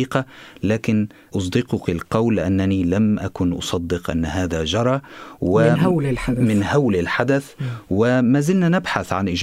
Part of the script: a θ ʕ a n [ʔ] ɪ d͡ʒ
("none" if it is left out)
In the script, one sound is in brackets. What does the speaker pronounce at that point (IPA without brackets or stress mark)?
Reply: ʔ